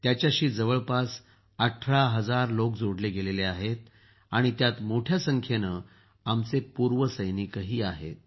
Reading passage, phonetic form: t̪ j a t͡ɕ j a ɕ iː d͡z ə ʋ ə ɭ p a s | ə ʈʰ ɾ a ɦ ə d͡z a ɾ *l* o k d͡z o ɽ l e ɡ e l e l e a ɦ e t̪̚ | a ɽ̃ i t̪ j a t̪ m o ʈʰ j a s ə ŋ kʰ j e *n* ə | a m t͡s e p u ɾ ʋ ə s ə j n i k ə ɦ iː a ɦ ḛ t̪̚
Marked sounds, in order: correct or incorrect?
correct, correct

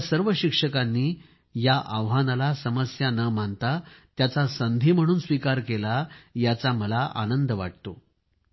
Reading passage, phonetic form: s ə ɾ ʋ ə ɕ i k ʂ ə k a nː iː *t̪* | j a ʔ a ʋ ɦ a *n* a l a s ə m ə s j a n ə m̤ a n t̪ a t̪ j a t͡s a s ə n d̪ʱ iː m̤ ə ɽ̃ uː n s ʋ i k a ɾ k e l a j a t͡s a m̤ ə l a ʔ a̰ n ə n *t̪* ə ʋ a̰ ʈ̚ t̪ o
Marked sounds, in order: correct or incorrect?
incorrect: none, correct, incorrect: d̪

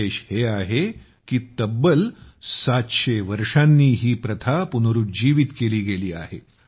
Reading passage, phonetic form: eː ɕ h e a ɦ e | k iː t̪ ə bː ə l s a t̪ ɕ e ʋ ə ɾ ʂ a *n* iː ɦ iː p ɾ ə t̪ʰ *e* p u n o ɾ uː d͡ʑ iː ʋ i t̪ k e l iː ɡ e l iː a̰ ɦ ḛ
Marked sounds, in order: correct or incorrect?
incorrect: nː, incorrect: a

